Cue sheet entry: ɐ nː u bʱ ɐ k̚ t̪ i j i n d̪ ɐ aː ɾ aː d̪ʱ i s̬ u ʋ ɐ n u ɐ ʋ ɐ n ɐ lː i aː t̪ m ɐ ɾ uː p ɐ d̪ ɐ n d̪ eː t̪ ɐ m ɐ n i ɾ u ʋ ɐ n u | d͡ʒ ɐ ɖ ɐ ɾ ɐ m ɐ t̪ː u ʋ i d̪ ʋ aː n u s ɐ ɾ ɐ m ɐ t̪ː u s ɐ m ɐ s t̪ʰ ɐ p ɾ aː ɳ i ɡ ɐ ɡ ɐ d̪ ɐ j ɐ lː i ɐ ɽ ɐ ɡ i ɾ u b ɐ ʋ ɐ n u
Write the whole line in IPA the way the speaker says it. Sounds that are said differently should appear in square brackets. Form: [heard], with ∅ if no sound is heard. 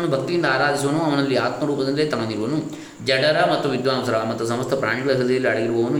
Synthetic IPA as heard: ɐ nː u bʱ ɐ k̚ t̪ i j i n d̪ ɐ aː ɾ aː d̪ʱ i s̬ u ʋ ɐ n u ɐ ʋ ɐ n ɐ lː i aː t̪ m ɐ ɾ uː p ɐ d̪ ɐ n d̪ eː t̪ ɐ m ɐ n i ɾ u ʋ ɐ n u | d͡ʒ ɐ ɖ ɐ ɾ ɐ m ɐ t̪ː u ʋ i d̪ ʋ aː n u s ɐ ɾ ɐ m ɐ t̪ː u s ɐ m ɐ s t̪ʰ ɐ p ɾ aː ɳ i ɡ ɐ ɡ ɐ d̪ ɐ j ɐ lː i ɐ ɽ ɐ ɡ i ɾ u b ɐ ʋ ɐ n u